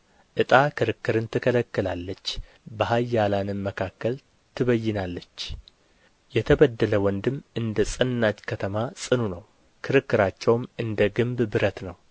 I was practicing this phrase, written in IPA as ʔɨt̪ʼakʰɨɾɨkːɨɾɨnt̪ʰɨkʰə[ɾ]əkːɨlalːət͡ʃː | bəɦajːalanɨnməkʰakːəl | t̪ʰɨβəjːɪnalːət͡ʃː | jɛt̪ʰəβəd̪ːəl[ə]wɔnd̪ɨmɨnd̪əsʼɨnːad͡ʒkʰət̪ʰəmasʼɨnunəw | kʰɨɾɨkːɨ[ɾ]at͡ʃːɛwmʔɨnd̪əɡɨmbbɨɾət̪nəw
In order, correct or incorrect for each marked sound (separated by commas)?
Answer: incorrect, correct, correct